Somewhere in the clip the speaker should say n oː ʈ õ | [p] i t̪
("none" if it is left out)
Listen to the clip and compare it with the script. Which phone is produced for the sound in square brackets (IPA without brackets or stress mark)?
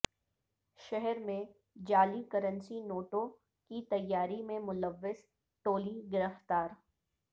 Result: k